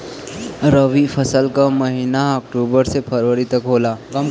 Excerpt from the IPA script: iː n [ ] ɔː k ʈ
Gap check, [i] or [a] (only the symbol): a